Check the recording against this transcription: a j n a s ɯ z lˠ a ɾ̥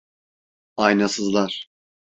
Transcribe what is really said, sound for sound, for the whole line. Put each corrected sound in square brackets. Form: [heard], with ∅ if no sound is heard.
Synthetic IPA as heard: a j n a s ɯ z lˠ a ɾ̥